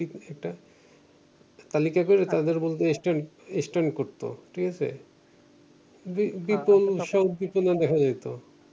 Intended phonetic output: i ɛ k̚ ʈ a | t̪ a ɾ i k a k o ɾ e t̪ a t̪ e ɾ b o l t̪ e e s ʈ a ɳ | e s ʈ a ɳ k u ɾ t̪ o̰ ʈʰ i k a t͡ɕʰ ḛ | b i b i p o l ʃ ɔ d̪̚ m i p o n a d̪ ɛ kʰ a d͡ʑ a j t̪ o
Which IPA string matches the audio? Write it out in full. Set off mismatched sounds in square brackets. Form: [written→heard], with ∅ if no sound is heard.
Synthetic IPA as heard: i ɛ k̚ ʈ a | t̪ a [ɾ→l] i k a k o ɾ e t̪ a [t̪→d̪] e ɾ b o l t̪ e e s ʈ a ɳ | e s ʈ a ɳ k [u→o] ɾ t̪ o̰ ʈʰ i k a t͡ɕʰ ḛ | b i b i p o l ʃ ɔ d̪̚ [m→b] i p o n a d̪ ɛ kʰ a d͡ʑ a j t̪ o